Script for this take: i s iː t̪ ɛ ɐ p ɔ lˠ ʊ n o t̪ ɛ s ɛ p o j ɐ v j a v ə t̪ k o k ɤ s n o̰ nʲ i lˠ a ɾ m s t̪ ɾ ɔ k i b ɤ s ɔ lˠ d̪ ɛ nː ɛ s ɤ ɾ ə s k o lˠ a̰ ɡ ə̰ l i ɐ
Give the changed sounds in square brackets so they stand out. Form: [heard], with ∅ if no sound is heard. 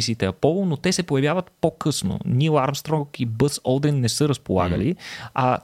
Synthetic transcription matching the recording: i s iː t̪ ɛ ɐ p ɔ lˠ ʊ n o t̪ ɛ s ɛ p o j ɐ v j a v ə t̪ [p] o k ɤ s n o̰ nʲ i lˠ a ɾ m s t̪ ɾ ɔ k i b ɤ s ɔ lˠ d̪ ɛ nː ɛ s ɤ ɾ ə s [p] o lˠ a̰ ɡ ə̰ l i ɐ